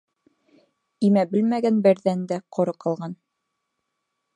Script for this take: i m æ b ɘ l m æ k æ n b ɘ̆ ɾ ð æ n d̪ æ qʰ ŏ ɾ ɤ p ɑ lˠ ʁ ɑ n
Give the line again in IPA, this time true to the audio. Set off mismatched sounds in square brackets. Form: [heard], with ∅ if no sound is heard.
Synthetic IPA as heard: i m æ b ɘ l m æ [ɡ] æ n b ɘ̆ ɾ ð æ n d̪ æ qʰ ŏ ɾ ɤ [q] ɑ lˠ ʁ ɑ n